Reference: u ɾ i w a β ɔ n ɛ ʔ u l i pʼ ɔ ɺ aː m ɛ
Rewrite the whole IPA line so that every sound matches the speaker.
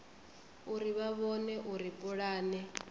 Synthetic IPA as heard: u ɾ i β a β ɔ n ɛ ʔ u ɾ i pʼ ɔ ɺ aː n ɛ